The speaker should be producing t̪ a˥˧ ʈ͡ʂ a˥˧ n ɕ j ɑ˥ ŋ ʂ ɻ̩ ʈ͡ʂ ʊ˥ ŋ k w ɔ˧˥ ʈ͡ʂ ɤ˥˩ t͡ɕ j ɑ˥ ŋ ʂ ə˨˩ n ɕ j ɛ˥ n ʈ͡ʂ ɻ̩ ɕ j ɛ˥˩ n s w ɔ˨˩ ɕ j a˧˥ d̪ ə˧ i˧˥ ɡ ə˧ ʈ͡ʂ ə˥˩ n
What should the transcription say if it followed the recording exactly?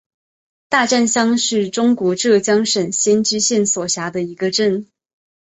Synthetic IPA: t̪ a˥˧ ʈ͡ʂ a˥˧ n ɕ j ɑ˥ ŋ ʂ ɻ̩ ʈ͡ʂ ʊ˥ ŋ k w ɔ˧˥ ʈ͡ʂ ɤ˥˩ t͡ɕ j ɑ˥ ŋ ʂ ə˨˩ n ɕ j ɛ˥ n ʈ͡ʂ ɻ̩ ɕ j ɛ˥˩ n s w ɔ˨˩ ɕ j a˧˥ d̪ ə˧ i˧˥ ɡ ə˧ ʈ͡ʂ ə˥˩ n

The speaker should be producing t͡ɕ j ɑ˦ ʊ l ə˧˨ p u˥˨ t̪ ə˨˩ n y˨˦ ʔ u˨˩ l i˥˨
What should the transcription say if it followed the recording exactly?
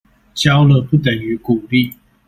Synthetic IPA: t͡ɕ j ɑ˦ ʊ l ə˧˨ p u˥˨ t̪ ə˨˩ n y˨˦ k u˨˩ l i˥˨

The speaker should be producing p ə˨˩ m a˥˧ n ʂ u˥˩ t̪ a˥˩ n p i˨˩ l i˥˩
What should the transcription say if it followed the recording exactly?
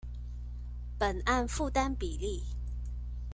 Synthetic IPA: p ə˨˩ n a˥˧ n f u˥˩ t̪ a˥ n p i˨˩ l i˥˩

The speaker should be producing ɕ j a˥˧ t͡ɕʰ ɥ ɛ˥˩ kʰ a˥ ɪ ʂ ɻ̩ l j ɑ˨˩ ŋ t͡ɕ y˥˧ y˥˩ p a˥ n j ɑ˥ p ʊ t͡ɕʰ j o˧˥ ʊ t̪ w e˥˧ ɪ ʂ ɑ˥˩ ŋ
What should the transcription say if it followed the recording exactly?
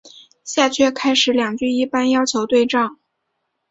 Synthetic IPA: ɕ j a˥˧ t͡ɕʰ ɥ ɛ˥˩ kʰ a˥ ɪ ʂ ɻ̩ l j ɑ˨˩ ŋ t͡ɕ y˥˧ i˥˩ p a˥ n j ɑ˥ ʊ t͡ɕʰ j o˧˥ ʊ t̪ w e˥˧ ɪ ʈ͡ʂ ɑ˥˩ ŋ

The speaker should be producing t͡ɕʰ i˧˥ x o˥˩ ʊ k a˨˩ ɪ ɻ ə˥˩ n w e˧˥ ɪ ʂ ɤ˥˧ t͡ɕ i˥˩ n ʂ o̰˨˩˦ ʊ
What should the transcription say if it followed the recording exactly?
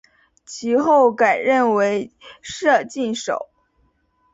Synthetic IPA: t͡ɕʰ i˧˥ x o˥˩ ʊ k a˨˩ ɪ ɻ ə˥˩ n w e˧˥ ɪ ʂ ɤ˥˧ t͡ɕ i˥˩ n ʂ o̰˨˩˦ ʊ

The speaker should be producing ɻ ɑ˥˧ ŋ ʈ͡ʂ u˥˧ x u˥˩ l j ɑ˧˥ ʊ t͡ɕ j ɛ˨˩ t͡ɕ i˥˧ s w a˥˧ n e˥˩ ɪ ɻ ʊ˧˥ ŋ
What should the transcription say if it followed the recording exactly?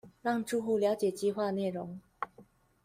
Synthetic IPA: ɻ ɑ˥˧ ŋ ʈ͡ʂ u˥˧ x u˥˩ l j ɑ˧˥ ʊ t͡ɕ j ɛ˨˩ t͡ɕ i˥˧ x w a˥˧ n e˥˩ ɪ ɻ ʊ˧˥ ŋ

